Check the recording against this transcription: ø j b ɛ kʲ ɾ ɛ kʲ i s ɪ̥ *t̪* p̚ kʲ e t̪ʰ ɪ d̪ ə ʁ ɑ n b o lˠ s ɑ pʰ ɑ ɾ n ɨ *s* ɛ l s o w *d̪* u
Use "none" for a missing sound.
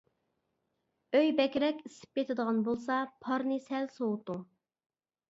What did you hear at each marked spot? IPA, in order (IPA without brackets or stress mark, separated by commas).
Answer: none, s, t̪